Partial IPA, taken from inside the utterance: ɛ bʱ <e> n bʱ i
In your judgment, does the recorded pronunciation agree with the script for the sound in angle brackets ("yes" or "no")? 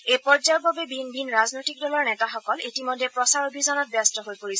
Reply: no